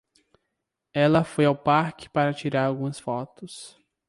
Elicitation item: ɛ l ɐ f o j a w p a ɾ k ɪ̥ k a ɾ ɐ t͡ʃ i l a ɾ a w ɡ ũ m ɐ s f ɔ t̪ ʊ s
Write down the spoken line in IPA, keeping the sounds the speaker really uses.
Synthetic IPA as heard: ɛ l ɐ f o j a w p a ɾ k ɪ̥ p a ɾ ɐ t͡ʃ i ɾ a ɾ a w ɡ ũ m ɐ s f ɔ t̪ ʊ s